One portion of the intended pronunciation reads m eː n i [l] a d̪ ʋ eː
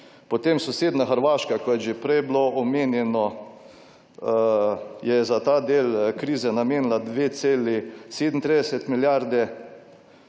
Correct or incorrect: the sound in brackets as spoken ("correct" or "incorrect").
correct